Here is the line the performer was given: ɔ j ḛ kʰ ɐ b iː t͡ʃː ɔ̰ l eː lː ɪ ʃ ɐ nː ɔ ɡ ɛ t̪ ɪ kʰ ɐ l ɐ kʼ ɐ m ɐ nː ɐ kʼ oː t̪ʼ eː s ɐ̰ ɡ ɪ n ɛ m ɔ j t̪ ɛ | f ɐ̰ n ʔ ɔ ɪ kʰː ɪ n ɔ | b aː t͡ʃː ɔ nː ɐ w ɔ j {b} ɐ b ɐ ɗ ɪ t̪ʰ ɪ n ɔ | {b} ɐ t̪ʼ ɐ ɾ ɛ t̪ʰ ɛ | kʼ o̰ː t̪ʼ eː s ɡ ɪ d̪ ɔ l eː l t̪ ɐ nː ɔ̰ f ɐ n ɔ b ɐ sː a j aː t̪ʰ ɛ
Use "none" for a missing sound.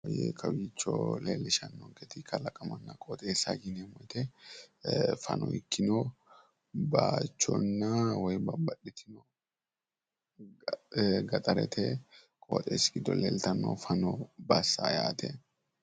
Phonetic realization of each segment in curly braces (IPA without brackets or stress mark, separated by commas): b, ɡ